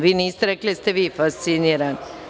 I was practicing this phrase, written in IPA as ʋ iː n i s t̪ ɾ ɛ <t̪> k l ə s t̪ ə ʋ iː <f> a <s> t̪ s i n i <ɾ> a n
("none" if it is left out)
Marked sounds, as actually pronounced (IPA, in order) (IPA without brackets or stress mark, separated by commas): none, f, s, ɾ